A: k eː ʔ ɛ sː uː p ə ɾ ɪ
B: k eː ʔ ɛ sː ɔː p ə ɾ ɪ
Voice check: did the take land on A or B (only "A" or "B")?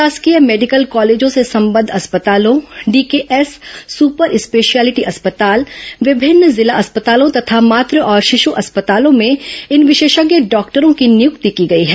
A